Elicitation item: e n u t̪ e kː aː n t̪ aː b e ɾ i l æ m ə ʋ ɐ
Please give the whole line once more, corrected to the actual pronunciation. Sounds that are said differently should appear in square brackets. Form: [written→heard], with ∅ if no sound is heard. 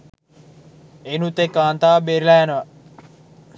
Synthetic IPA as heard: e n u t̪ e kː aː n t̪ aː b e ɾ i l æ [m→n] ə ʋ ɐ